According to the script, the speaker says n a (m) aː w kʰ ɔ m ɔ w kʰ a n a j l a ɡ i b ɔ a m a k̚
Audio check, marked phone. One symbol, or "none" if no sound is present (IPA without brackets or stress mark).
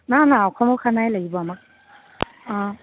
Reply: n